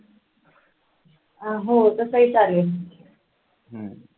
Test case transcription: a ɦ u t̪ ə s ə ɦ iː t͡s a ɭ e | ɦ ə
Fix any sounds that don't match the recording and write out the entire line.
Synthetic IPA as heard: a ɦ o t̪ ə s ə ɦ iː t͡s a l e | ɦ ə